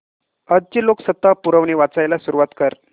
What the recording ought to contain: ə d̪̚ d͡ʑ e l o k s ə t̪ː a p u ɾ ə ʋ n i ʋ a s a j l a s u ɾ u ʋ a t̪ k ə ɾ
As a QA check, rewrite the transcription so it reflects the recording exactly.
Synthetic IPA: ə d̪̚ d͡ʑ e l o k s ə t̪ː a p u ɾ ə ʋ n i ʋ a t͡s a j l a s u ɾ u ʋ a t̪ k ə ɾ